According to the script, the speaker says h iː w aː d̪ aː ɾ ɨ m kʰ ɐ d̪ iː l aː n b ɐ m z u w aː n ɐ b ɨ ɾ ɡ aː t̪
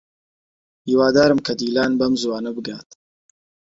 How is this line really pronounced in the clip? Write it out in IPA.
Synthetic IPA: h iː w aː d̪ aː ɾ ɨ m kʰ ɐ d̪ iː l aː n b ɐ m z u w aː n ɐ b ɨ ɡ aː t̪